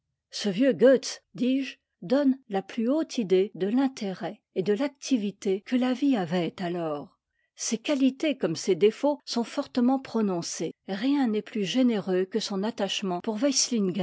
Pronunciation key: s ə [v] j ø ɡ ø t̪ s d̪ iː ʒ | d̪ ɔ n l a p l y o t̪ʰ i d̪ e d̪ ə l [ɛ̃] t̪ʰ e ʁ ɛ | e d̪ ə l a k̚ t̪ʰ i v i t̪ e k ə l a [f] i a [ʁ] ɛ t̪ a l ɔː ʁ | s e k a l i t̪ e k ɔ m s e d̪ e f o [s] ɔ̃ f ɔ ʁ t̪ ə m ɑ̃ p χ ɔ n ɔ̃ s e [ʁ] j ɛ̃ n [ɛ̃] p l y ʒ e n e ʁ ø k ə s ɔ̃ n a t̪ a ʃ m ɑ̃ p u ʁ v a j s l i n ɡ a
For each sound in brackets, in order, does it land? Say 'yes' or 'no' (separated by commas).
yes, yes, no, no, yes, yes, no